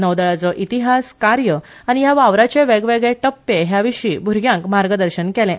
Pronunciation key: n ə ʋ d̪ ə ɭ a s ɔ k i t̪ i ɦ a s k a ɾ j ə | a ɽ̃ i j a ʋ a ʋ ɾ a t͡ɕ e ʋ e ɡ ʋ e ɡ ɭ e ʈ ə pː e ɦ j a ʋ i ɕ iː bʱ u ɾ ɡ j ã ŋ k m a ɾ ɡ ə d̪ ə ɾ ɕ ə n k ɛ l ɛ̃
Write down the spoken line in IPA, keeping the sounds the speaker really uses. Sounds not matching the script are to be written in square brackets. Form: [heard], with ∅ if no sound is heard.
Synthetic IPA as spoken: n ə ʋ d̪ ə ɭ a [t͡s] ɔ [ʔ] i t̪ i ɦ a s k a ɾ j ə | a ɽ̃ i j a ʋ a ʋ ɾ a t͡ɕ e ʋ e ɡ ʋ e ɡ ɭ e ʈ ə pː e ɦ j a ʋ i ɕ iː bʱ u ɾ ɡ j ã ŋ k m a ɾ ɡ ə d̪ ə ɾ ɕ ə n k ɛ l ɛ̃

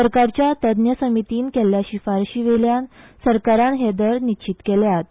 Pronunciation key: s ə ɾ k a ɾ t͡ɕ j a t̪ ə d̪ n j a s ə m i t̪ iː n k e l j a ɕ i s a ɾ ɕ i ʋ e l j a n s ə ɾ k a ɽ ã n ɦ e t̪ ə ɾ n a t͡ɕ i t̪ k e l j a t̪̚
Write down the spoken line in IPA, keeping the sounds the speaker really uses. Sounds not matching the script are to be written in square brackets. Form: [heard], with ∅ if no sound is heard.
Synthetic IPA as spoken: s ə ɾ k a ɾ t͡ɕ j a t̪ ə d̪ n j [ə] s ə m i t̪ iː n k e l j a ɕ i [f] a ɾ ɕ i ʋ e l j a n s ə ɾ k a [ɾ] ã n ɦ e [d̪] ə ɾ n [i] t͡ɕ i t̪ k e l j a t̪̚

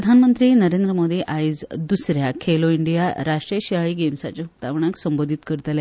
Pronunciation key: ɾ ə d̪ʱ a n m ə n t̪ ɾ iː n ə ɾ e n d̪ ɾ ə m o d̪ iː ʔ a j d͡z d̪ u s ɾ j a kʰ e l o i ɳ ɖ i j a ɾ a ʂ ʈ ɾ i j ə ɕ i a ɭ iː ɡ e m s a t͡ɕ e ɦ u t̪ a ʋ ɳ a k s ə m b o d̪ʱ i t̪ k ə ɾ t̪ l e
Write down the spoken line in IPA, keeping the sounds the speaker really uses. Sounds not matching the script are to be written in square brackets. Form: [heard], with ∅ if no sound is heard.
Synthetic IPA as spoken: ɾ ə d̪ʱ a n m ə n t̪ ɾ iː n ə ɾ e n d̪ ɾ ə m o d̪ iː ʔ a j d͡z d̪ u s ɾ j a kʰ e l o i ɳ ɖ i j a ɾ a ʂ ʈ ɾ i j ə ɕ i a ɭ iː ɡ e m s a t͡ɕ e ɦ u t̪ a ʋ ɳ a k s ə m b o d̪ʱ i t̪ k ə ɾ t̪ l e

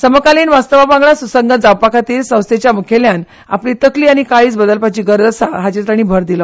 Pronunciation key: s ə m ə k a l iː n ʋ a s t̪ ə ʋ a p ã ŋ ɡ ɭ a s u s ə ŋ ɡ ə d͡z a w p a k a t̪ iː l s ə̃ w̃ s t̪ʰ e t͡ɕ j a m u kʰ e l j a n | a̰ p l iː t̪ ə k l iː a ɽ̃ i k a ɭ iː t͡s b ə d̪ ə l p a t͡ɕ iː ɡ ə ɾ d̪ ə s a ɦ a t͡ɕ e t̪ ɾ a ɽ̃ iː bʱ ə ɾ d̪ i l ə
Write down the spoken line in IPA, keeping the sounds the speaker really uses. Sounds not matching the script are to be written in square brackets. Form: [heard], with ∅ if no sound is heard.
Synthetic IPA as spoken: s ə m ə k a l iː n ʋ a s t̪ ə ʋ a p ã ŋ ɡ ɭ a s u s ə ŋ ɡ ə d͡z a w p a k a t̪ iː l s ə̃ w̃ s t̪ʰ e t͡ɕ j a m u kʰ e l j a n | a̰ p l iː t̪ ə k l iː a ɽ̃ i k a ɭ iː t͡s b ə d̪ ə l p a t͡ɕ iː ɡ ə ɾ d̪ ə s a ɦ a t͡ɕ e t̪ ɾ a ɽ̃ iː bʱ ə ɾ d̪ i l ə

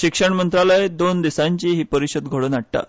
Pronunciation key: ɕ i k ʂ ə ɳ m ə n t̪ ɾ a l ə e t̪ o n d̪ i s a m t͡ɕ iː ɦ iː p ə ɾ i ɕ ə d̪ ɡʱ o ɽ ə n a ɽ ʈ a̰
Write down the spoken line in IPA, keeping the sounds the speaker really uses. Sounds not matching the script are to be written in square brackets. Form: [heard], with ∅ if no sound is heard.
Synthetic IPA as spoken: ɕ i k ʂ ə ɳ m ə n t̪ ɾ a l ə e [d̪] o n d̪ i s a [ɲ] t͡ɕ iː ɦ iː p ə ɾ i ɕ ə d̪ ɡʱ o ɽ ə n a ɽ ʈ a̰

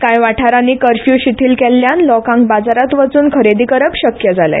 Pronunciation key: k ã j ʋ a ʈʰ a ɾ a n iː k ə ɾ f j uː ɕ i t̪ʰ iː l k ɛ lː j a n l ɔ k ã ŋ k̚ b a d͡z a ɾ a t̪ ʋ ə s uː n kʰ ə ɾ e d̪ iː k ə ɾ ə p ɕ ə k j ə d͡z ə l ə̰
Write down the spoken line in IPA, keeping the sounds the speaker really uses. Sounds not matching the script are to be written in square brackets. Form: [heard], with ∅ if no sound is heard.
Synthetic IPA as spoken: k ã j ʋ a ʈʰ a ɾ a n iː k ə ɾ f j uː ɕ i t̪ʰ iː l k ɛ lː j a n l ɔ k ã ŋ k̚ b a d͡z a ɾ a t̪ ʋ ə [t͡s] uː n kʰ ə ɾ e d̪ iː k ə ɾ ə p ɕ ə k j ə d͡z [a] l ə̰

